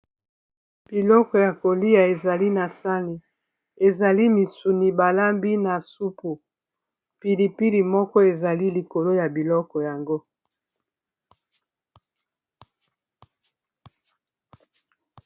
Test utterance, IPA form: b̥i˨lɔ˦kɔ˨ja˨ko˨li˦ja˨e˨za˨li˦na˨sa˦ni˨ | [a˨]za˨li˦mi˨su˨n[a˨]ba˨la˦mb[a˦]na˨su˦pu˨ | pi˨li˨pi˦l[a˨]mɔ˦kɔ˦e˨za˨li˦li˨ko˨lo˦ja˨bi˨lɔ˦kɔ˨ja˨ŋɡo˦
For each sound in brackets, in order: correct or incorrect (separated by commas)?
incorrect, incorrect, incorrect, incorrect